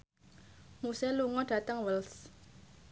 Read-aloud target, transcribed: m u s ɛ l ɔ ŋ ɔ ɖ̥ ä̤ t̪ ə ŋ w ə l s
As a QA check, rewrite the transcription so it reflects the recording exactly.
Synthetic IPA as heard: m u s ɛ l u ŋ ɔ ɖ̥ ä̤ t̪ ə ŋ w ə l s

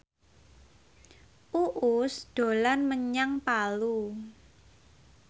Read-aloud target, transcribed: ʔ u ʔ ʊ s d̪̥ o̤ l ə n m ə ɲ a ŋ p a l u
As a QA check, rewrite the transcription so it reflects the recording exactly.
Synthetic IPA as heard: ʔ u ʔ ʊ s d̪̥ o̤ l a n m ə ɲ a ŋ p a l u

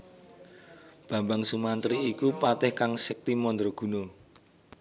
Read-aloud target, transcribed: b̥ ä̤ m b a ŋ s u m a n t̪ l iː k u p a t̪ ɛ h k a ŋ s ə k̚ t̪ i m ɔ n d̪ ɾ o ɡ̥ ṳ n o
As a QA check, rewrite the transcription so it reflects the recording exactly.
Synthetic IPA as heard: b̥ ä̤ m b a ŋ s u m a n t̪ ɾ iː k u p a t̪ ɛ h k a ŋ s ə k̚ t̪ i m ɔ n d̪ ɾ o ɡ̥ ṳ n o

